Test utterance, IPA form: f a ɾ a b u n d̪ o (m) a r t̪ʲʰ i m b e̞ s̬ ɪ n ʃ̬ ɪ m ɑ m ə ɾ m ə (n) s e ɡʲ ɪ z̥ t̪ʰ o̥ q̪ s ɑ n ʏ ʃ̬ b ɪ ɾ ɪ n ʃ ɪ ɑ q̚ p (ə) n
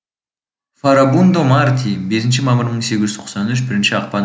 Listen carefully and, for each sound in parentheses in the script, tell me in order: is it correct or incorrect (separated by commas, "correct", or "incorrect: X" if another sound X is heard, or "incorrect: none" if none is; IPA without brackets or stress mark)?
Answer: correct, incorrect: ɴ, incorrect: ɑ